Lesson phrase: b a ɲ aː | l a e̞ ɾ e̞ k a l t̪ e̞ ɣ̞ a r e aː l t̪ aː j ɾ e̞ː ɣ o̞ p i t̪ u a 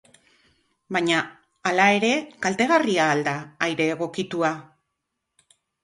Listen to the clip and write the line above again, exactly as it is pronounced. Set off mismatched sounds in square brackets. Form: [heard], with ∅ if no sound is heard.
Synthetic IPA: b a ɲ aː | l a e̞ ɾ e̞ k a l t̪ e̞ ɣ̞ a r [i] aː l [d̪] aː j ɾ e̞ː ɣ o̞ [k] i t̪ u a